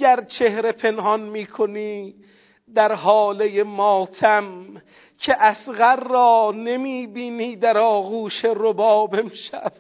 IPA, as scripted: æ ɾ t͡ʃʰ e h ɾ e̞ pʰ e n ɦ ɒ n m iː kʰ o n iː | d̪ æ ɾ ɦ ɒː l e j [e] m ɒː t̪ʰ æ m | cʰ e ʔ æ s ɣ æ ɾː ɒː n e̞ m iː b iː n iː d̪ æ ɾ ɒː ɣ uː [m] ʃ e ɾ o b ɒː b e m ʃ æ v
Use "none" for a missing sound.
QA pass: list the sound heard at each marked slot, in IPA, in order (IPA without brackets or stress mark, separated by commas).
e, none